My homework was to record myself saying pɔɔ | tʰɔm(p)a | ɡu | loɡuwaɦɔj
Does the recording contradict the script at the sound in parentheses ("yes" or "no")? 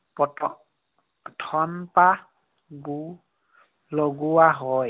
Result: no